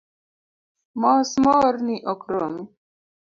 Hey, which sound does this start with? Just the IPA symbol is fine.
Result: m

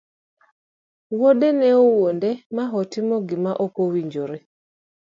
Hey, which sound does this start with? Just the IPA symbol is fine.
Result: w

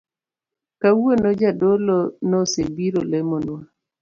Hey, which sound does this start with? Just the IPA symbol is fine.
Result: k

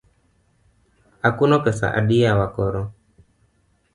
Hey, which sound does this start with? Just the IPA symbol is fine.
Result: a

